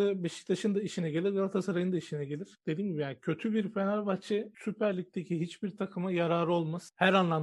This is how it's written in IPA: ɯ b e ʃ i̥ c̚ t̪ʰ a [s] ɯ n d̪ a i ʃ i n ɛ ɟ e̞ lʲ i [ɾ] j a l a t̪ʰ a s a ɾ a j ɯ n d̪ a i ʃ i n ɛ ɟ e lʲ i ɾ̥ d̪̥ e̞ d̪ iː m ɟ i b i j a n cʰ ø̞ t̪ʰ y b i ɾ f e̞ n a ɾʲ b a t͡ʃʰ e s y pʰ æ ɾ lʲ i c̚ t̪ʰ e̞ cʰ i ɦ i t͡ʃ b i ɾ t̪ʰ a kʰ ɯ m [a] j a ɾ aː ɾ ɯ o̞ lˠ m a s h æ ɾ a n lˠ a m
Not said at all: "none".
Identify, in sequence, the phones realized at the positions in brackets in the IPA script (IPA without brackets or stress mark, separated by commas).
ʃ, ɾ, a